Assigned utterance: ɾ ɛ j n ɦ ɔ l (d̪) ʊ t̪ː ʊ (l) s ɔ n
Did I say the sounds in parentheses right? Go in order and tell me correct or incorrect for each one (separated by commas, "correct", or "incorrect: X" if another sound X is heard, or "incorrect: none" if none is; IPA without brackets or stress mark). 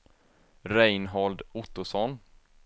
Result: correct, incorrect: none